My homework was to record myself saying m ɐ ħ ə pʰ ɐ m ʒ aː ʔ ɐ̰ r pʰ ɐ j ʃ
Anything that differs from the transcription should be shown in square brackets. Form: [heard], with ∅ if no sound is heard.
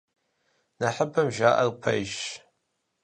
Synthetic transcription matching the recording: [n] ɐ ħ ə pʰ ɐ m ʒ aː ʔ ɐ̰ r pʰ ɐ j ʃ